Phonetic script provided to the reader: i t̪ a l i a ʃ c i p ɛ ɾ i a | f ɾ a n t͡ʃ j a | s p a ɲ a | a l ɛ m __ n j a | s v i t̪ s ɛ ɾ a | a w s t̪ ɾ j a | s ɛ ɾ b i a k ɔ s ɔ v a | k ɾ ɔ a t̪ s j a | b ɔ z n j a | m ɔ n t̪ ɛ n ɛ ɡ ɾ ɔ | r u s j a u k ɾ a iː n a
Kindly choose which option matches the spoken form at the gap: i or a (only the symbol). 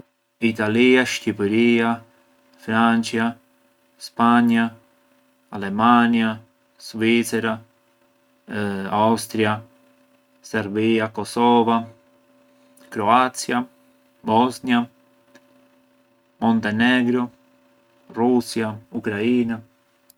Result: a